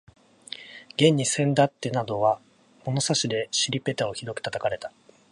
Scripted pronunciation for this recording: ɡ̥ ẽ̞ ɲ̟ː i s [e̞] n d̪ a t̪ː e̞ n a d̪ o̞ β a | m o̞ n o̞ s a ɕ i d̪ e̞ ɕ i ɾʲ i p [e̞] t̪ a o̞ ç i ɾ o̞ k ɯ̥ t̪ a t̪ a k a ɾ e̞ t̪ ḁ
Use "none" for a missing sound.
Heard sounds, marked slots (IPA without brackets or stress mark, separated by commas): ẽ̞, e̞